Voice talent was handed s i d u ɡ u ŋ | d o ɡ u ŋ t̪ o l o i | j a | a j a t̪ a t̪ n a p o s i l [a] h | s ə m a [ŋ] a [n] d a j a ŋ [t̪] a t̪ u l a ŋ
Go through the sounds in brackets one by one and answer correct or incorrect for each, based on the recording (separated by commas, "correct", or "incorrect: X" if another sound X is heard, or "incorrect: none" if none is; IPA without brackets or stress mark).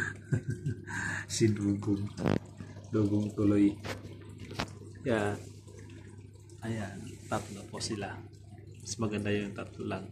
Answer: correct, incorrect: ɡ, correct, correct